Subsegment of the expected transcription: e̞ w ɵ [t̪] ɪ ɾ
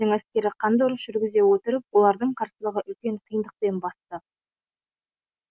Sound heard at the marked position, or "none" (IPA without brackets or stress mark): t̪